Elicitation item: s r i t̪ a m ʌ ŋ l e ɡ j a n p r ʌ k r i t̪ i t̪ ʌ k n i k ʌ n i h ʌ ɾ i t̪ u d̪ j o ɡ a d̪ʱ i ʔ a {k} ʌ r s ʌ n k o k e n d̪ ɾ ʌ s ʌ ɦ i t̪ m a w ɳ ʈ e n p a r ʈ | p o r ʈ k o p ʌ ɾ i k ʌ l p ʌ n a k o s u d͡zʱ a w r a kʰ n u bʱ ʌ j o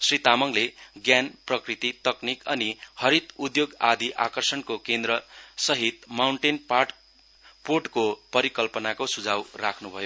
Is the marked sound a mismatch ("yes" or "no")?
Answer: no